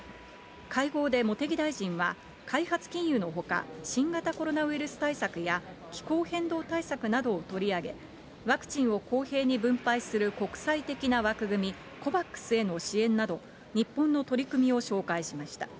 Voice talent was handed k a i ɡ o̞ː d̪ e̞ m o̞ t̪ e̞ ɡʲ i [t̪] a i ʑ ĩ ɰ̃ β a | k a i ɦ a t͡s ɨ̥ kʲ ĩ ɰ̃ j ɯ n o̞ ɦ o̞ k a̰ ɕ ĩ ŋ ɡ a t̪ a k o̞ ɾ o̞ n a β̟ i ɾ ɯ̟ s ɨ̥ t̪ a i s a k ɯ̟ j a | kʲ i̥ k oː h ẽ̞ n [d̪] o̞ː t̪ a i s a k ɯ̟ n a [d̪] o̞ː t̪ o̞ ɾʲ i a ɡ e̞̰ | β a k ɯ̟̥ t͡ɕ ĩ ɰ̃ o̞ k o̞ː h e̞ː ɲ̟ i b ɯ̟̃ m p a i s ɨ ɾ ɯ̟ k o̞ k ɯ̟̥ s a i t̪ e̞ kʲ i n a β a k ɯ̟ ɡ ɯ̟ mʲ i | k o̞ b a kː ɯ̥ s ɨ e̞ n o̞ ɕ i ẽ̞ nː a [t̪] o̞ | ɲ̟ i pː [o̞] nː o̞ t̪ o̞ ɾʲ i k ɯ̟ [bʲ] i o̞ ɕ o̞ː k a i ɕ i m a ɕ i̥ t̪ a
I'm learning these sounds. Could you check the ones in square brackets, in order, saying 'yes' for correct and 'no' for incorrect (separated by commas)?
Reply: no, yes, yes, no, no, no